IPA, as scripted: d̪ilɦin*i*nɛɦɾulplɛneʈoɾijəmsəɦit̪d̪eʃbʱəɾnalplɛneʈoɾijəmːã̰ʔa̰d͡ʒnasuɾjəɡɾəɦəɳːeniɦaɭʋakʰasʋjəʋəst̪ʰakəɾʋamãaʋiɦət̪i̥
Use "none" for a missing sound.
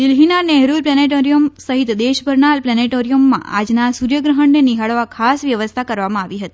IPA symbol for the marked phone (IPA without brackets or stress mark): a